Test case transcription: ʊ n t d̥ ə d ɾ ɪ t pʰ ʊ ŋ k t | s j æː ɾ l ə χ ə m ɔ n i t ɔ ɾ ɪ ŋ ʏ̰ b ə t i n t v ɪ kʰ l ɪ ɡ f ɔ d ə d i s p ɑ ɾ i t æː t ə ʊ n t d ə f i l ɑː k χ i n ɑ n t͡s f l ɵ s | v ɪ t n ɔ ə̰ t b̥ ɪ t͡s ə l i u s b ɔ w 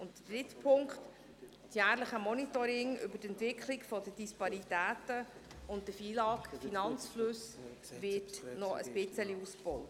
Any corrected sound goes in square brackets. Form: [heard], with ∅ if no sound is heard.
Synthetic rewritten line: ʊ n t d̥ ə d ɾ ɪ t pʰ ʊ ŋ k t | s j æː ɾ l ə χ ə m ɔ n i t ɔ ɾ ɪ ŋ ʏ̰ b ə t [ɛ] n t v ɪ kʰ l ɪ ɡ f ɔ d ə d i s p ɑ ɾ i t æː t ə ʊ n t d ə f [iː] l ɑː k [f] i n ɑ n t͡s f l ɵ s | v ɪ t n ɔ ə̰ [s] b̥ ɪ t͡s ə l i u s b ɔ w